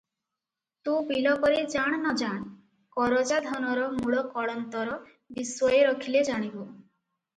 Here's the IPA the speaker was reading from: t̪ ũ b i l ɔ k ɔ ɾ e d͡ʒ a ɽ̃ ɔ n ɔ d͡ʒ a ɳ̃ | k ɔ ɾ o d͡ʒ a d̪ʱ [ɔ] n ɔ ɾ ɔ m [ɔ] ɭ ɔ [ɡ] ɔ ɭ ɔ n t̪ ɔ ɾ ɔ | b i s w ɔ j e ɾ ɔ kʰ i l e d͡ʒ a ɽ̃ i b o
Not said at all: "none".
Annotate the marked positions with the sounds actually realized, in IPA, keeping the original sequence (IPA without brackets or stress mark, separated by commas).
ɔ, u, k